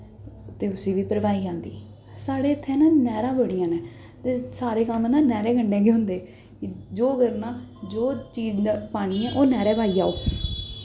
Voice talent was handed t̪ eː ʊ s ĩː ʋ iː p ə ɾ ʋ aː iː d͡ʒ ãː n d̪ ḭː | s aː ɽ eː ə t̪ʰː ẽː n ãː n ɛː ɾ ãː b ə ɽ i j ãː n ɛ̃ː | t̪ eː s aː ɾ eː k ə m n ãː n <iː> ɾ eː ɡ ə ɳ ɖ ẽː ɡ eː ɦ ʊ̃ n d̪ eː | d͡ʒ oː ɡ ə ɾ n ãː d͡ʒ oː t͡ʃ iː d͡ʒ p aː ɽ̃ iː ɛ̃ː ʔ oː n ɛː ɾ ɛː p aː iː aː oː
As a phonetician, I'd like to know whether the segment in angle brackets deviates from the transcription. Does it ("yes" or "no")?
yes